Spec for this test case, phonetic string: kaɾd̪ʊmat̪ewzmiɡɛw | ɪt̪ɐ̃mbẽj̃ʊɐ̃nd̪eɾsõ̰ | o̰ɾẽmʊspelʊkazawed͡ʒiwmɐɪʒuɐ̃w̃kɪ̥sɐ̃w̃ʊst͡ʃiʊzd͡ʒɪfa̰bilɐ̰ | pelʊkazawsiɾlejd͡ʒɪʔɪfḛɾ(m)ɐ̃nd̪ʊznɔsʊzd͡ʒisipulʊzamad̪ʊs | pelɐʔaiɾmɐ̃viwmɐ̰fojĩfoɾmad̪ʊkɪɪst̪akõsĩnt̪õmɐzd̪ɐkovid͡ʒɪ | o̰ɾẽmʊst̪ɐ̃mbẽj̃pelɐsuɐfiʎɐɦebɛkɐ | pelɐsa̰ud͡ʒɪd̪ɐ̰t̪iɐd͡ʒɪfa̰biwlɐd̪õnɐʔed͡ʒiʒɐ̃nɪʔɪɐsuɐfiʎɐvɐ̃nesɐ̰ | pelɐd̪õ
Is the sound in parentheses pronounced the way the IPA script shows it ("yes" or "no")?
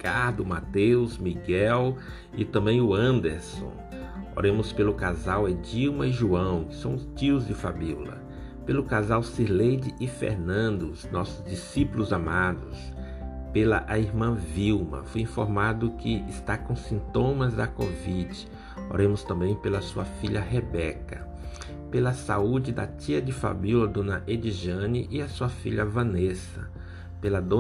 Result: no